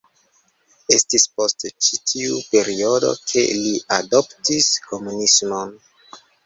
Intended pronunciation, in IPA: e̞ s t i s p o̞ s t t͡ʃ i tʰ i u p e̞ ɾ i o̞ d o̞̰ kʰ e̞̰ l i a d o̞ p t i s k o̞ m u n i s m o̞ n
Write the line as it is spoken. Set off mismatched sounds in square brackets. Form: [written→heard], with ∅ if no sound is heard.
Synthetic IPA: e̞ s t i s p o̞ s t t͡ʃ i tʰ i u p e̞ ɾ i o̞ d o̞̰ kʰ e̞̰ l i a d o̞ p t i s k o̞ m u n i s m o̞ n

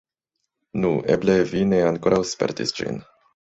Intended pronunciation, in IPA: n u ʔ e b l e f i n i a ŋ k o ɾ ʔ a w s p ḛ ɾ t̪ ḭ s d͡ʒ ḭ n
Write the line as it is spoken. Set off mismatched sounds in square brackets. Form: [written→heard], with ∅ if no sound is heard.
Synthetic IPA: n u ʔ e b l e [f→v] i n [i→e] a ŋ k o ɾ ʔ a w s p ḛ ɾ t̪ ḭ s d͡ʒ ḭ n

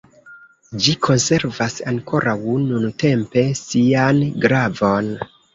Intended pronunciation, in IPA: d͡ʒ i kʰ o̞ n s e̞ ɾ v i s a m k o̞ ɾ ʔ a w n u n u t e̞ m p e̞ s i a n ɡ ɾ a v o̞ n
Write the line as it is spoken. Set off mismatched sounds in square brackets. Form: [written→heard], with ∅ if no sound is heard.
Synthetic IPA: d͡ʒ i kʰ o̞ n s e̞ ɾ v [i→a] s a [m→ŋ] k o̞ ɾ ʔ a w n u n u t e̞ m p e̞ s i a n ɡ ɾ a v o̞ n

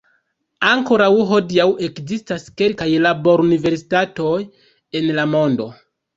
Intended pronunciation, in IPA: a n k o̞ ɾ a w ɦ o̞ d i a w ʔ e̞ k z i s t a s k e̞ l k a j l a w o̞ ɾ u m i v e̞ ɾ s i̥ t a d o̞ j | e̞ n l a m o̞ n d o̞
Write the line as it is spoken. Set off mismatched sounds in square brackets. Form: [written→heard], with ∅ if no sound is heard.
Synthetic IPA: a [n→ŋ] k o̞ ɾ a w ɦ o̞ d i a w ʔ e̞ k z i s t a s k e̞ l k a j l a [w→b] o̞ ɾ u [m→n] i v e̞ ɾ s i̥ t a [d→t] o̞ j | e̞ n l a m o̞ n d o̞

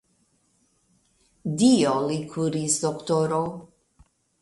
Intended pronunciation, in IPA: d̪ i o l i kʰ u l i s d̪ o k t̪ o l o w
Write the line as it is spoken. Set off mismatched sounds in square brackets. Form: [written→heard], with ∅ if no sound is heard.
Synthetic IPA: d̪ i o l i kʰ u [l→ɾ] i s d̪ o k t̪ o [l→ɾ] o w

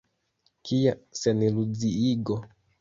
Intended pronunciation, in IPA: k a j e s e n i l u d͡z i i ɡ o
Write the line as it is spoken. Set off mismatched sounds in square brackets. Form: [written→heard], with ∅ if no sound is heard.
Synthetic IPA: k [a→i] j [e→a] s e n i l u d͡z i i ɡ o

